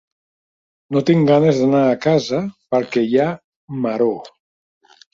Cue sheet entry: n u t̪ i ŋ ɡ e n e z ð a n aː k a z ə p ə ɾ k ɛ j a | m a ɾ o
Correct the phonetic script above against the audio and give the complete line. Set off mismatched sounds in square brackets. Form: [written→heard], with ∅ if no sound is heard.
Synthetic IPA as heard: n [u→o] t̪ i ŋ ɡ [e→a] n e z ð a n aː k a z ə p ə ɾ k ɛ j a | m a ɾ o